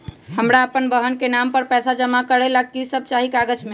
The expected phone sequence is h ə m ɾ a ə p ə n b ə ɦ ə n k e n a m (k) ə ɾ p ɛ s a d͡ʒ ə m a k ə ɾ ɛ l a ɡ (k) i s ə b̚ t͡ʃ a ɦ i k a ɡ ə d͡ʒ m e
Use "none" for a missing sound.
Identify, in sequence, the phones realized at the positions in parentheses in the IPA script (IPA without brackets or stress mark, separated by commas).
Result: p, k